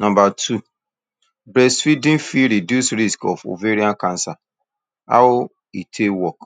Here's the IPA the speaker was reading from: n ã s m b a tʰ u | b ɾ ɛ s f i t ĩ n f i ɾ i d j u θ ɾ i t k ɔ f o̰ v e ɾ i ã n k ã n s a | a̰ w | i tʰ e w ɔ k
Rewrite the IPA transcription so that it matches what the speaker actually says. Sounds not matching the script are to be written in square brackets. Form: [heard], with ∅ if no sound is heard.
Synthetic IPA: n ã [∅] m b a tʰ u | b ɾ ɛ s f i [d] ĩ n f i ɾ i d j u [s] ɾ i [s] k ɔ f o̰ v e ɾ i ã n k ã n s a | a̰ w | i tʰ e w ɔ k